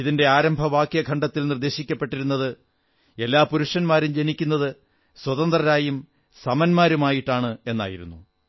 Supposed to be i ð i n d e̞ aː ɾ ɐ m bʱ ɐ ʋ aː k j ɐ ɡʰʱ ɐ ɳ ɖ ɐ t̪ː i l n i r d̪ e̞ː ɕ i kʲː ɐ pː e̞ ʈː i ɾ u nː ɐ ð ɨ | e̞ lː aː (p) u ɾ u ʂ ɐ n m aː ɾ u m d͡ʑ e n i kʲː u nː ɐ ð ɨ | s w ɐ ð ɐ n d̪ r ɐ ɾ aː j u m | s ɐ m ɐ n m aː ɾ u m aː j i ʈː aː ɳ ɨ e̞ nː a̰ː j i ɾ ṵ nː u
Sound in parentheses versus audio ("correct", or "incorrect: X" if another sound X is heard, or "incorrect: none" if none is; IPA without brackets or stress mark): correct